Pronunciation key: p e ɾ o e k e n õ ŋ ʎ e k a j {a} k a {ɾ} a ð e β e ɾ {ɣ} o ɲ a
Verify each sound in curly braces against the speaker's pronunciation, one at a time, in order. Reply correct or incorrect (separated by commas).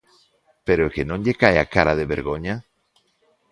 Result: correct, correct, correct